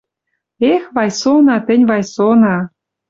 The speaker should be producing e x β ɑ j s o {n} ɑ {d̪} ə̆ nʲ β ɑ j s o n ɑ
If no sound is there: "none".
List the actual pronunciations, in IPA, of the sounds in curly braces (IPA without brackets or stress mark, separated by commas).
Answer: n, t̪